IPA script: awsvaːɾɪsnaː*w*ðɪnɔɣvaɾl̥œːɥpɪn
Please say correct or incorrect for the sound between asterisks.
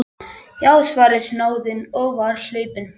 correct